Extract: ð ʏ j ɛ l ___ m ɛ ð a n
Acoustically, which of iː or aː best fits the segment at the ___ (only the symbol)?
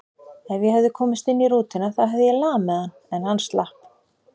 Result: aː